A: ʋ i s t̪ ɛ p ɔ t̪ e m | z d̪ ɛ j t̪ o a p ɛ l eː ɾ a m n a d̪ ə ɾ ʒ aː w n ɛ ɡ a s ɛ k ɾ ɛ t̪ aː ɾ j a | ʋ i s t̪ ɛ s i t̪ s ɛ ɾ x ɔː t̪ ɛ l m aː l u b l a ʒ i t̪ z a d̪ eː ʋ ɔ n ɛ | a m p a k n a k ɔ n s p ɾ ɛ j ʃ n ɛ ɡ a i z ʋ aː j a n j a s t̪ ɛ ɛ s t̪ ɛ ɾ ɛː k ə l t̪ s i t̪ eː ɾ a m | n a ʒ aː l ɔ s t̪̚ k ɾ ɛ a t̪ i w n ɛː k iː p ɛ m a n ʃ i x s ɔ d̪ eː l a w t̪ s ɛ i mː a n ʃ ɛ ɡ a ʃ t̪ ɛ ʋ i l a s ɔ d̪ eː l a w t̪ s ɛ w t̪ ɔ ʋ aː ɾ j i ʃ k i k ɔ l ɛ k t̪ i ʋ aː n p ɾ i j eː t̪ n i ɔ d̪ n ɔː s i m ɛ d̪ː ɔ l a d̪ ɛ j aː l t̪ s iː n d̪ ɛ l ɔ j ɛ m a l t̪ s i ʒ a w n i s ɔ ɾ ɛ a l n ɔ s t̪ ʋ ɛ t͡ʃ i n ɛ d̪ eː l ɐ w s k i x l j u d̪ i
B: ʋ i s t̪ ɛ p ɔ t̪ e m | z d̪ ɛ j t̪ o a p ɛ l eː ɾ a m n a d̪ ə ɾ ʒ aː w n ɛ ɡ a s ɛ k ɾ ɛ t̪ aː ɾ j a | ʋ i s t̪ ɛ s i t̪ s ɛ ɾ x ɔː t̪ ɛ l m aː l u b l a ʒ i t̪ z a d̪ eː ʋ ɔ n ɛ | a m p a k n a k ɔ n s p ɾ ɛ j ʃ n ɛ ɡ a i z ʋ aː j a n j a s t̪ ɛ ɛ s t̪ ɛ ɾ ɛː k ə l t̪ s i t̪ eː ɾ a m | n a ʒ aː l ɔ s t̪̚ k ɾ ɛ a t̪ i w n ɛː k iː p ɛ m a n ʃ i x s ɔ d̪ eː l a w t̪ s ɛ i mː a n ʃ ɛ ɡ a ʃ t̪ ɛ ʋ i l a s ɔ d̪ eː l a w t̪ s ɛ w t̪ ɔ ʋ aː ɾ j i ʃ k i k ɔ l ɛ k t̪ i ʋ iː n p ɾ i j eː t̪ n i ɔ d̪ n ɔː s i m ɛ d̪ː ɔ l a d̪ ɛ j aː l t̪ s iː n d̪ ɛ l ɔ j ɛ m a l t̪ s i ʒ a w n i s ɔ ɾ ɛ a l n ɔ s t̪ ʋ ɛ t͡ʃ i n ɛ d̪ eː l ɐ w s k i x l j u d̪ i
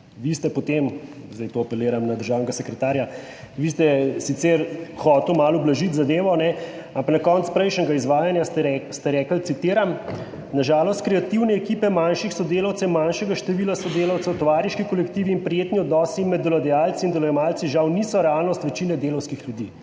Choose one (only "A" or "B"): B